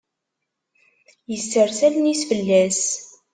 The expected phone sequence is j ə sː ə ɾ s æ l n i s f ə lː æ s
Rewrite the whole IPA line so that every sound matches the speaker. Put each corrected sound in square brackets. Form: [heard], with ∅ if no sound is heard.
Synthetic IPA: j ə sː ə ɾ s æ l n i s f ə lː æ s